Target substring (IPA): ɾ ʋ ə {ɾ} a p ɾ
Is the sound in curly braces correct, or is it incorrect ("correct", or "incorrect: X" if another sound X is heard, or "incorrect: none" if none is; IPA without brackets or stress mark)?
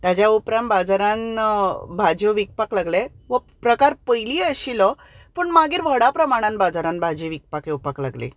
incorrect: ɽ